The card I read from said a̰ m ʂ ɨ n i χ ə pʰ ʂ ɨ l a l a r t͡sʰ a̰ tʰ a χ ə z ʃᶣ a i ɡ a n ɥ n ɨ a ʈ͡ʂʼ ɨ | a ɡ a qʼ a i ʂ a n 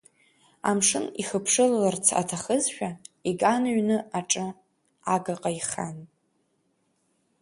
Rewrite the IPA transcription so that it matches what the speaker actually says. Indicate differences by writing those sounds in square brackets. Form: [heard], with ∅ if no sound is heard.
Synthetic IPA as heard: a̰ m ʂ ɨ n i χ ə pʰ ʂ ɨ l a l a r t͡sʰ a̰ tʰ a χ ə z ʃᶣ a i ɡ a n ɥ n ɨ a ʈ͡ʂʼ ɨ | a ɡ a qʼ a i [χ] a n